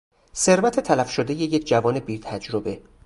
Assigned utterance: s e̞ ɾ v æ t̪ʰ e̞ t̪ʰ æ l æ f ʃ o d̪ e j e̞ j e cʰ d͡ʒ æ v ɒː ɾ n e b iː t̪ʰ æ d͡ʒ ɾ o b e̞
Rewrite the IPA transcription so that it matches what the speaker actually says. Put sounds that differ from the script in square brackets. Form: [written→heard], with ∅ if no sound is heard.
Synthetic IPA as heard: s e̞ ɾ v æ t̪ʰ e̞ t̪ʰ æ l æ f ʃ o d̪ e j e̞ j e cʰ d͡ʒ æ v ɒː [ɾ→∅] n e b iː t̪ʰ æ d͡ʒ ɾ o b e̞